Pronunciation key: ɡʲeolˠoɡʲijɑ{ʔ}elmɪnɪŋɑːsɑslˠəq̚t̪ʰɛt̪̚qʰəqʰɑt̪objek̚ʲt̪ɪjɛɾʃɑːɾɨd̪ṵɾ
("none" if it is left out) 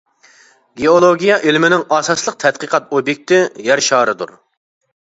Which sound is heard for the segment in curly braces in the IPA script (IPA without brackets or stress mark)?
ʔ